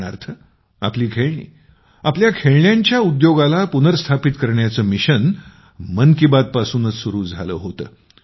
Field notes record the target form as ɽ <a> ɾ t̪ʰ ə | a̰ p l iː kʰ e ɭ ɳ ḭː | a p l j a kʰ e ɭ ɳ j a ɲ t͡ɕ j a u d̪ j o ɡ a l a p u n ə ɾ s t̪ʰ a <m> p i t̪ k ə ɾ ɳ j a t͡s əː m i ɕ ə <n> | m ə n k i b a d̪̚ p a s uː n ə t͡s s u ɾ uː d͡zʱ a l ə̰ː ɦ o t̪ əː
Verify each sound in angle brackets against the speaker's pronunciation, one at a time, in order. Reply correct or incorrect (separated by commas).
correct, incorrect, correct